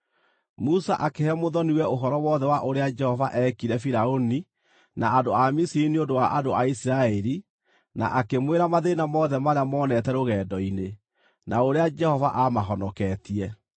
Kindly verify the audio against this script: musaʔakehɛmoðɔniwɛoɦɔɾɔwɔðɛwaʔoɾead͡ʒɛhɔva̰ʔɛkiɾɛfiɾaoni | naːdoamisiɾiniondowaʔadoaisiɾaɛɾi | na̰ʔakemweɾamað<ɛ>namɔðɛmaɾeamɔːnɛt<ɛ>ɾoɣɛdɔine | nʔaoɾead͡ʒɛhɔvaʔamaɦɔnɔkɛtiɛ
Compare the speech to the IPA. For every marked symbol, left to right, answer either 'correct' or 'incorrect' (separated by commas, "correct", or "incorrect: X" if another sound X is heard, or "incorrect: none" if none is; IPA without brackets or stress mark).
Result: incorrect: e, correct